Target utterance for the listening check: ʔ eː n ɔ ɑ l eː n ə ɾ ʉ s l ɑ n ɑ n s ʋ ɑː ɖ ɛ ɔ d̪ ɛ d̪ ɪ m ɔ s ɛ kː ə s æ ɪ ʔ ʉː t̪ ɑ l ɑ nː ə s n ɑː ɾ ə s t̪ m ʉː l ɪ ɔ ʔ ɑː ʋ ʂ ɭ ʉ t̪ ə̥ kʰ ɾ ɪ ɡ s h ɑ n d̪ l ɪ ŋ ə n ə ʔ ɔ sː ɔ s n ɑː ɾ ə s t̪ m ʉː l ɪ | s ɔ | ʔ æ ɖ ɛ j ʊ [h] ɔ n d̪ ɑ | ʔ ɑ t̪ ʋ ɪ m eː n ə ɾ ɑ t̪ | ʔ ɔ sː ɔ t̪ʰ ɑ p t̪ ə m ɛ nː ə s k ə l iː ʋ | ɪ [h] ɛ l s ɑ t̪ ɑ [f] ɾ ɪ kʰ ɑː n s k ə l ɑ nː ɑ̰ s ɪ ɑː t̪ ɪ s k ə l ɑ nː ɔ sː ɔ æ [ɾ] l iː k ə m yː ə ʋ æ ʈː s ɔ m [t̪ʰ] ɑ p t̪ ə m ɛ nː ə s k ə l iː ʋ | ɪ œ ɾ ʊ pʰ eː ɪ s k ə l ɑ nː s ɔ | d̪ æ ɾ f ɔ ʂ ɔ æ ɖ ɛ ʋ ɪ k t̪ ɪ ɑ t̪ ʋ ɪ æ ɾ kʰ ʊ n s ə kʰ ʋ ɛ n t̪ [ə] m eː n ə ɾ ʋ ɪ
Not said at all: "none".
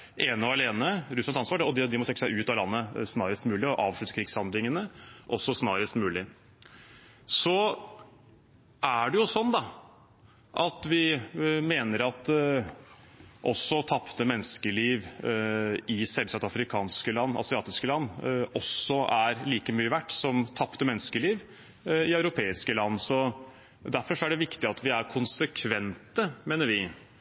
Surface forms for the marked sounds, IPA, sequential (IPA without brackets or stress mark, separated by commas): s, s, f, ɾ, t̪ʰ, ə